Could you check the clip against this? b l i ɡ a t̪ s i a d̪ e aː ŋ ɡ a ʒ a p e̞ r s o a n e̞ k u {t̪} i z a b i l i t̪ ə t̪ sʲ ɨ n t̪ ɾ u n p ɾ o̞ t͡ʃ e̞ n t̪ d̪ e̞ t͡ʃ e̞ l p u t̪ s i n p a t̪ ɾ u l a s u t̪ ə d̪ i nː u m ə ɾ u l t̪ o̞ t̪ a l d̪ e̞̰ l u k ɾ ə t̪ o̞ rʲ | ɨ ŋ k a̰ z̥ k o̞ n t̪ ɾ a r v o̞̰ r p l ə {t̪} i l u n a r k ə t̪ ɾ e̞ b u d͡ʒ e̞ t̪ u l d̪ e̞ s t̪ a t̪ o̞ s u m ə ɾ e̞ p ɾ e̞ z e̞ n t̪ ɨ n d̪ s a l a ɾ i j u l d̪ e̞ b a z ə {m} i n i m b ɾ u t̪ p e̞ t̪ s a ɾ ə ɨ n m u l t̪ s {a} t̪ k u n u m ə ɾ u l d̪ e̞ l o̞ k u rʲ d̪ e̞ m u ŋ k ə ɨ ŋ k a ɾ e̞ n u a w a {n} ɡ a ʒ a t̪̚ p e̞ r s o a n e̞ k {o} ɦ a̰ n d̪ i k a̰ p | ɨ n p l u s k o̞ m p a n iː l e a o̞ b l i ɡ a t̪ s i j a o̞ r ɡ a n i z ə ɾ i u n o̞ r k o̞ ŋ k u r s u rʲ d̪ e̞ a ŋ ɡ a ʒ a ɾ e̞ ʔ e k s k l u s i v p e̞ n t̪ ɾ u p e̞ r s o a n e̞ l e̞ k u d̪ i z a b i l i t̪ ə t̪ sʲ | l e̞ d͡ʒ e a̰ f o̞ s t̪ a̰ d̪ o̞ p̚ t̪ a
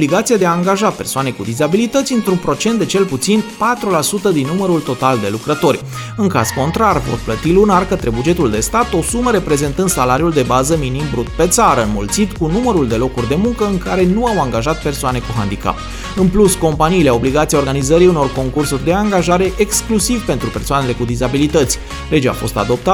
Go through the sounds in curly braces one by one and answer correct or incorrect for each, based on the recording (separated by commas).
incorrect, correct, correct, incorrect, incorrect, incorrect